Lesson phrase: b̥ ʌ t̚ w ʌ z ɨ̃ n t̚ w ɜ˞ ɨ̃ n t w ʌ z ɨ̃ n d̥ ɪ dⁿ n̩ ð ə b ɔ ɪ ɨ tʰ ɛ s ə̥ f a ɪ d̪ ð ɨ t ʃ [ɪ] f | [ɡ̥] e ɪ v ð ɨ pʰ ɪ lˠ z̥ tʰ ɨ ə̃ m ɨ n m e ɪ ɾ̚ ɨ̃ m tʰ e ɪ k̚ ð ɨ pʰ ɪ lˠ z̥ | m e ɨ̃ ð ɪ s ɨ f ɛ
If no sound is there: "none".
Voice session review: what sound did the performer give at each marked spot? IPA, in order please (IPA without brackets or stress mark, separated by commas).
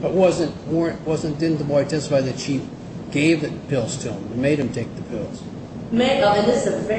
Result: i, ɡ̥